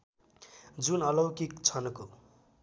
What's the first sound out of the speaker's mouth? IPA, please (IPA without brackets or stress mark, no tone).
d͡z